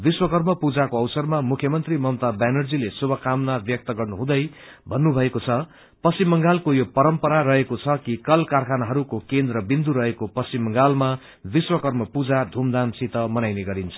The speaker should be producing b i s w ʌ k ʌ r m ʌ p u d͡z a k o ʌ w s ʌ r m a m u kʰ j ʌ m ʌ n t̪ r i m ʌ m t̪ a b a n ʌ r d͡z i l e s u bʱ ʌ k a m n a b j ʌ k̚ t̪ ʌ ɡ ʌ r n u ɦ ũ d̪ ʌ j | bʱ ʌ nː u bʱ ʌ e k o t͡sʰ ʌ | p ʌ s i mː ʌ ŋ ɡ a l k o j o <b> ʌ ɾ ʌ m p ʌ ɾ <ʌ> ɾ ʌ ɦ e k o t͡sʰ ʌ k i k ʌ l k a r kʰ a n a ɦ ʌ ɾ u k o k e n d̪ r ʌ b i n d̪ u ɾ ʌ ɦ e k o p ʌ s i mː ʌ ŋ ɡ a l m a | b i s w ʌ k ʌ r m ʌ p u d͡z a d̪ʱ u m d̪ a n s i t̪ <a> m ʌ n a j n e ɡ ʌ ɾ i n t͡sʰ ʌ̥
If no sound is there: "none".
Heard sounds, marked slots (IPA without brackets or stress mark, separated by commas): p, a, ʌ